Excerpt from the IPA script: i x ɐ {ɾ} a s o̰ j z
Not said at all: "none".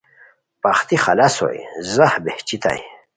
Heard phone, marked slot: l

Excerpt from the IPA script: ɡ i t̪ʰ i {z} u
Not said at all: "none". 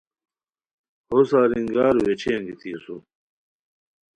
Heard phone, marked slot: s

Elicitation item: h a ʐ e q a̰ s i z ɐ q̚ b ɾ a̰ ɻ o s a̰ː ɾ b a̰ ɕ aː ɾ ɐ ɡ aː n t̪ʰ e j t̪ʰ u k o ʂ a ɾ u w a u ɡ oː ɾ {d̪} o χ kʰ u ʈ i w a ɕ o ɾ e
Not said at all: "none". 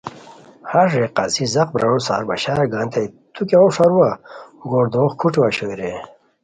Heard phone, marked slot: d̪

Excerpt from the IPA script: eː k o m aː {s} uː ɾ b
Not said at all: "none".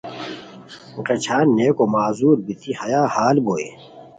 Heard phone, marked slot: z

